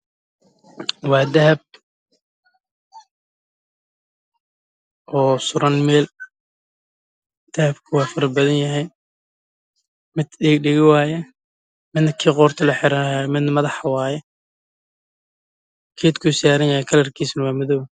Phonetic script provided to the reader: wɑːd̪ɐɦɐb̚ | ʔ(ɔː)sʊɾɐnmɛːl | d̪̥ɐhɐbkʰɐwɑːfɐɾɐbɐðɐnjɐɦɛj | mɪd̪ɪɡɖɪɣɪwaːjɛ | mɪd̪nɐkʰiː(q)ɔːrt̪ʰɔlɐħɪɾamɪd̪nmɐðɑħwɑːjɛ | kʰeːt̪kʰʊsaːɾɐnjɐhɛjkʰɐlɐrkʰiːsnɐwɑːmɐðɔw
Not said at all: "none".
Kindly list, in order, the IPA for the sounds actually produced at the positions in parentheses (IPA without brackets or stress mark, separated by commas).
ɔː, q